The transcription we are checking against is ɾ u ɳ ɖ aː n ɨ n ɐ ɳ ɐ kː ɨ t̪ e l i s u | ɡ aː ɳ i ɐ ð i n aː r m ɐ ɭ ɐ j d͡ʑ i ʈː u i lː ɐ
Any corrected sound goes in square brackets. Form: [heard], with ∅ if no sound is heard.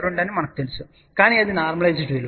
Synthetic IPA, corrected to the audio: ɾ u ɳ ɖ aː n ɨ [m] ɐ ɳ ɐ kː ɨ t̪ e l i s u | [k] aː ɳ i ɐ ð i n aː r m ɐ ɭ ɐ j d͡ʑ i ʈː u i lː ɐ